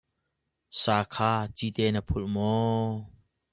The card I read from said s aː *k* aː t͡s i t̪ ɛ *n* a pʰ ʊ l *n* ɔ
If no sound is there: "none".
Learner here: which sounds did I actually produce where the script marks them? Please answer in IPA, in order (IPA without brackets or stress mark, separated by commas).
kʰ, n, m